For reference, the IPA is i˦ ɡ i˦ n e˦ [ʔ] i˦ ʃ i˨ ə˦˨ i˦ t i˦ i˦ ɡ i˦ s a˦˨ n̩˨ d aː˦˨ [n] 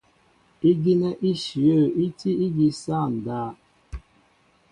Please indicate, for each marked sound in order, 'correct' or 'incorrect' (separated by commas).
correct, incorrect